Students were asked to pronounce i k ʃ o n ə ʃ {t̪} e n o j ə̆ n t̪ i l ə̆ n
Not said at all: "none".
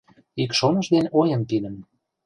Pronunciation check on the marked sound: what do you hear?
d̪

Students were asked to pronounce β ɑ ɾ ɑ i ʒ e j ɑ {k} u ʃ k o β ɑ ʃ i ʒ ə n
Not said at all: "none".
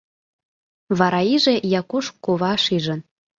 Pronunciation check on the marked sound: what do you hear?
k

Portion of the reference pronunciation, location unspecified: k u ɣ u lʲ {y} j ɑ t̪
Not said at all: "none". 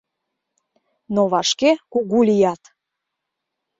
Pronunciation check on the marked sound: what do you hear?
i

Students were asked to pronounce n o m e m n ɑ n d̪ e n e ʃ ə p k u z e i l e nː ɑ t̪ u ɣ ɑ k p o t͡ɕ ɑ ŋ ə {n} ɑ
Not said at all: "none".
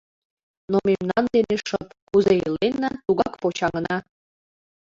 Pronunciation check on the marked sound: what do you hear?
n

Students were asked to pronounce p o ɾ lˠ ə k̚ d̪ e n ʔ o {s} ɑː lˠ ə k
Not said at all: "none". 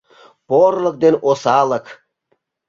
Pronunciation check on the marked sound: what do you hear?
s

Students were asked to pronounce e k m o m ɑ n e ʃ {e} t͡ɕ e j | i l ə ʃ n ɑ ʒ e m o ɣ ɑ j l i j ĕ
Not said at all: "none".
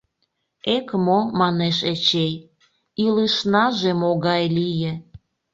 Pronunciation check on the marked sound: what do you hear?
e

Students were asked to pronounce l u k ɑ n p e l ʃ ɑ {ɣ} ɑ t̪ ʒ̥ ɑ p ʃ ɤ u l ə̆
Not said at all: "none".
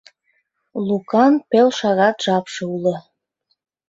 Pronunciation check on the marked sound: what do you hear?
ɣ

